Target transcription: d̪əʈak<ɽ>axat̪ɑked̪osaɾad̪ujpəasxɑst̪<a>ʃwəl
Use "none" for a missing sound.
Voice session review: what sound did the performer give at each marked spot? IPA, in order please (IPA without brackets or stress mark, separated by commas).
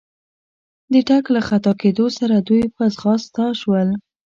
l, ɑ